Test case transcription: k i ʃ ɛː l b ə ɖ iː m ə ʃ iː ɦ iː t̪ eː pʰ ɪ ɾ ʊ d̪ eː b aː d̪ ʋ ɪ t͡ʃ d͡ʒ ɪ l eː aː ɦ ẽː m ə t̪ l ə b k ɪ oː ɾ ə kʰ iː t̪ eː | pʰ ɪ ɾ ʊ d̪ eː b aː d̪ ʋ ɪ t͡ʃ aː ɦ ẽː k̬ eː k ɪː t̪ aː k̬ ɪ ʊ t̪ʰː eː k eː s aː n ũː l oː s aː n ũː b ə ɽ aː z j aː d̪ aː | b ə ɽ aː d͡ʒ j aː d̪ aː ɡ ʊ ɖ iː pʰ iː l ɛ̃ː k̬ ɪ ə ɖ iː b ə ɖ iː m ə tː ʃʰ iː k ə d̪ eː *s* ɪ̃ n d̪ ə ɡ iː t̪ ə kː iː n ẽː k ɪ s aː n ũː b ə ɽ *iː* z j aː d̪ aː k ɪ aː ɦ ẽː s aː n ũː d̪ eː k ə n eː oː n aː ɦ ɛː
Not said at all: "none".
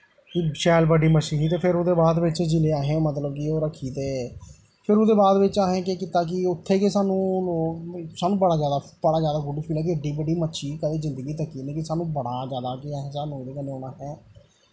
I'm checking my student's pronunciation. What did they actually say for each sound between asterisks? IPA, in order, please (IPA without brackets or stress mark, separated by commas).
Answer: z, aː